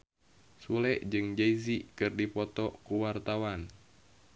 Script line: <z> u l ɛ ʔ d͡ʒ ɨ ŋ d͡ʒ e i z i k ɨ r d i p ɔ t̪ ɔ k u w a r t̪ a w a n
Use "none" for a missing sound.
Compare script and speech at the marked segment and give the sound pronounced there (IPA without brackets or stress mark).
s